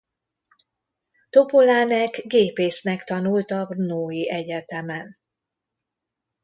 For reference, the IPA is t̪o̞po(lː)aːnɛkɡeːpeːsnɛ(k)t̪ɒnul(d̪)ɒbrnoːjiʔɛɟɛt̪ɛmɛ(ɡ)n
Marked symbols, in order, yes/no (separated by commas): no, yes, no, no